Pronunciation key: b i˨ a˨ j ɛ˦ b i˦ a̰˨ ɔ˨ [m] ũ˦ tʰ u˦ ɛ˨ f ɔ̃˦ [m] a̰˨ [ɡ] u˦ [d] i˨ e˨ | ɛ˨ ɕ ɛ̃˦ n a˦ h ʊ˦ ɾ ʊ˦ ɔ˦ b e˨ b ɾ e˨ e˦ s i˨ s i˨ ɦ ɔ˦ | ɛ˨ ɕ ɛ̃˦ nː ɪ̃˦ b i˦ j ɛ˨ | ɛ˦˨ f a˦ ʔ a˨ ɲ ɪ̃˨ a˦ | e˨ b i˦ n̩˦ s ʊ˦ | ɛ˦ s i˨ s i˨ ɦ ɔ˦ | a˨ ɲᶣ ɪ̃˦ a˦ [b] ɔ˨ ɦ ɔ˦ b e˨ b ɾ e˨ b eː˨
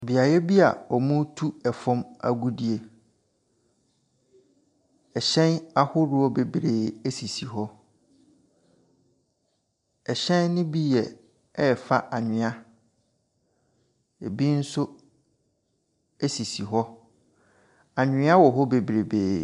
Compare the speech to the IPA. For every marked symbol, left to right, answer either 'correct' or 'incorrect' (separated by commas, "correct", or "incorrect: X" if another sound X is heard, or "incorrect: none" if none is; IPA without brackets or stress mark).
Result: correct, correct, correct, correct, incorrect: w